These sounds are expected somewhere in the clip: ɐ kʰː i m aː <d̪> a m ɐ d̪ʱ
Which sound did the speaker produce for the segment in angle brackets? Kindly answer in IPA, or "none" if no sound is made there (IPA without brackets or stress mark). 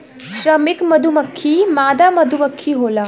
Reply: d̪